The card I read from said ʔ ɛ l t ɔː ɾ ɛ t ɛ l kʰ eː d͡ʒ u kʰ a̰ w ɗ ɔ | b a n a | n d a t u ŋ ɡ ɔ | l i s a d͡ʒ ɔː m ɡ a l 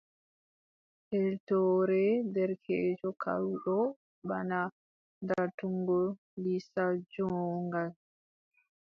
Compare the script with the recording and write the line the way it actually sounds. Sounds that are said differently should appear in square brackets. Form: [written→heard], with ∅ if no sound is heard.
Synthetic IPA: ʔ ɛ l t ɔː ɾ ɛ [t→d] ɛ [l→ɾ] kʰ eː d͡ʒ [u→ɔ] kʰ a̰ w ɗ ɔ | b a n a | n d a t u ŋ ɡ ɔ | l i s a d͡ʒ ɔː [m→ŋ] ɡ a l